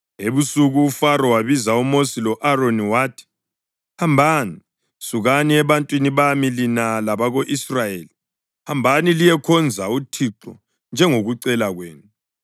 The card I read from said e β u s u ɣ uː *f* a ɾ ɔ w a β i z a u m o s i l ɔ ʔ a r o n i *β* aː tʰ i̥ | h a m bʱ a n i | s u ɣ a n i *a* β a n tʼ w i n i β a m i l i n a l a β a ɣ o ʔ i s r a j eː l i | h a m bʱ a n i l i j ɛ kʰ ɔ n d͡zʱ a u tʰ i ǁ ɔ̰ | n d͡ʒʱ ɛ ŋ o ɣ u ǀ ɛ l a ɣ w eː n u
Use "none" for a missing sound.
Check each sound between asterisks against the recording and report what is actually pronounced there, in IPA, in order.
f, w, ɛ

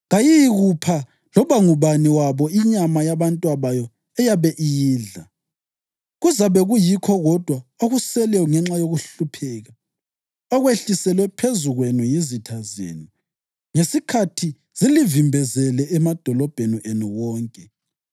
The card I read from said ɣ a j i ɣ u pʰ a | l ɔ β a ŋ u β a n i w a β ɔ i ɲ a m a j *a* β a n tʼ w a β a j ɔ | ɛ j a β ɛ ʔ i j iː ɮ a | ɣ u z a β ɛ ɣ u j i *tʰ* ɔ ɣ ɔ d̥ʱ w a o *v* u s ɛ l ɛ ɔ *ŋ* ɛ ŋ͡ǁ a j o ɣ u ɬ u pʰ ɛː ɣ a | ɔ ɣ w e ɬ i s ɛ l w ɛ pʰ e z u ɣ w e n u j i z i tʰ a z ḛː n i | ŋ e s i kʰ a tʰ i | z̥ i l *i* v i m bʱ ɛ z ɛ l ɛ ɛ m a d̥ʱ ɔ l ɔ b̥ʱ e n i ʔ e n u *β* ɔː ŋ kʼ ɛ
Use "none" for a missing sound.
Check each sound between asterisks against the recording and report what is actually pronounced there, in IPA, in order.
a, kʰ, ɣ, ŋ, i, w

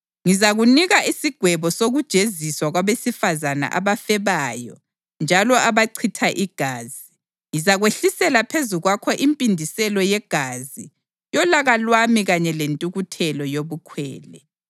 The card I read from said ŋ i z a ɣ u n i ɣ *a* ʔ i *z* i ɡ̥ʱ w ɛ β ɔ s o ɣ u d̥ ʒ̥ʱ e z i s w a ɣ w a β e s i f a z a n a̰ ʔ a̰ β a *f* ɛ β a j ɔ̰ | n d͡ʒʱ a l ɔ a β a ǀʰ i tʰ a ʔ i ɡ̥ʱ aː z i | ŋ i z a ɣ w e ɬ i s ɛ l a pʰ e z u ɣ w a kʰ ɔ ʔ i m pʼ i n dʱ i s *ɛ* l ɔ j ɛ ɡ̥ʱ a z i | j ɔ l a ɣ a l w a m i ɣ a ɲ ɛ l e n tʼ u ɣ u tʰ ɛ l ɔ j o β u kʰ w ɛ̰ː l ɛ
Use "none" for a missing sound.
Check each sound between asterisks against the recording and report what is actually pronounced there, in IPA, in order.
a, s, f, ɛ

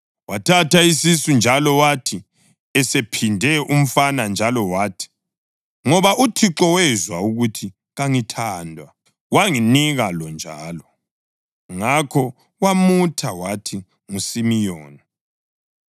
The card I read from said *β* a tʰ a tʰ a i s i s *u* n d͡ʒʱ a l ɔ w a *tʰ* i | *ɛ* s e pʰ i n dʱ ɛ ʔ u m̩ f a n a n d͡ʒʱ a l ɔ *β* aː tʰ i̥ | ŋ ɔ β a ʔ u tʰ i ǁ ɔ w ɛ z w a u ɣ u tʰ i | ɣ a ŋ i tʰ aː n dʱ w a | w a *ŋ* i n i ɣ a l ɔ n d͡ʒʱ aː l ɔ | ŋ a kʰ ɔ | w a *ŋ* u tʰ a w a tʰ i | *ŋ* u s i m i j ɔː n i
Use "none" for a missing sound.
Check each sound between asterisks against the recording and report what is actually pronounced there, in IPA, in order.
w, u, tʰ, ɛ, w, ŋ, m, ŋ

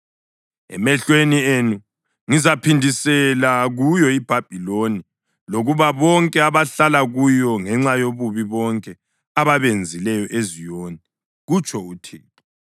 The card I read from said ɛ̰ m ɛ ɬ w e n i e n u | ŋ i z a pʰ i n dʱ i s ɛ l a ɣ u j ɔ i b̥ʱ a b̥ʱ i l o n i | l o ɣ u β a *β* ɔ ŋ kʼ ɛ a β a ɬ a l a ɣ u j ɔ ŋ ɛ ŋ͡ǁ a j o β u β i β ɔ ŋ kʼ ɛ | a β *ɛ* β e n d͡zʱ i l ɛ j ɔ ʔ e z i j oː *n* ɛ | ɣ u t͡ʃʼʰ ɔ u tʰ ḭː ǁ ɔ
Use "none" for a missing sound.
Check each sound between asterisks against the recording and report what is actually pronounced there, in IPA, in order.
β, a, n

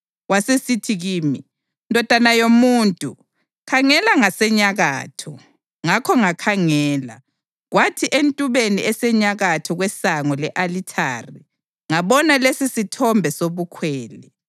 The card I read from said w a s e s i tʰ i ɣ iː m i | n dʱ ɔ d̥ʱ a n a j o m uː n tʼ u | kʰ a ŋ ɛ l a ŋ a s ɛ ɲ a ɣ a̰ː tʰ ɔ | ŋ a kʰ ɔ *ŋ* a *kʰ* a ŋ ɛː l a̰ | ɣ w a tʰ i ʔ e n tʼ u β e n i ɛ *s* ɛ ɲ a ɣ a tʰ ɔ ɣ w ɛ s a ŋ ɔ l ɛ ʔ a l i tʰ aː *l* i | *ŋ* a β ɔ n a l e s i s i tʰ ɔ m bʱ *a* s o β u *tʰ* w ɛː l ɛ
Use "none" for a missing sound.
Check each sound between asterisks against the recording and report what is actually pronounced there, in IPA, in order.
ŋ, kʰ, s, r, ŋ, ɛ, kʰ

